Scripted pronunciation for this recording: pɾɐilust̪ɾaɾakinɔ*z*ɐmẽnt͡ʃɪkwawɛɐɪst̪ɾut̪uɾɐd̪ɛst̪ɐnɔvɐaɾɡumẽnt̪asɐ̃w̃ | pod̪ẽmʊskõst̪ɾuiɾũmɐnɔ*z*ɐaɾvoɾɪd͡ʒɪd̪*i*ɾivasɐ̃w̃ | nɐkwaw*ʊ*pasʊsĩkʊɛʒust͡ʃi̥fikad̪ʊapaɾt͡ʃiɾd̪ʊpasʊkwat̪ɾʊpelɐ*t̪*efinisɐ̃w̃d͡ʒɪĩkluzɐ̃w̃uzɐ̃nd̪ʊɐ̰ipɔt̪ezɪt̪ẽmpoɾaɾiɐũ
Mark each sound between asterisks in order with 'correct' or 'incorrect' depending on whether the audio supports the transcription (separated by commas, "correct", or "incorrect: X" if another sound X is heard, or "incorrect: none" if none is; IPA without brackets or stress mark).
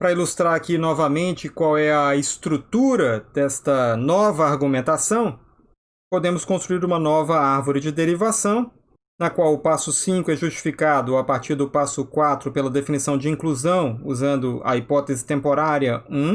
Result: incorrect: v, incorrect: v, incorrect: e, correct, incorrect: d̪